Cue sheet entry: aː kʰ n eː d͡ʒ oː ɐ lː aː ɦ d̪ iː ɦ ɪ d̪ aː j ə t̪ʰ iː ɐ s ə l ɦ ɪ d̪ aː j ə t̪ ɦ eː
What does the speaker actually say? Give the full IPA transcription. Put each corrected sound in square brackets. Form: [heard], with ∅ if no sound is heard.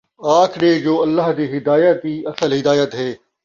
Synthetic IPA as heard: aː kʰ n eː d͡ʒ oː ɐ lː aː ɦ d̪ iː ɦ ɪ d̪ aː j ə [t̪] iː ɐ s ə l ɦ ɪ d̪ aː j ə t̪ ɦ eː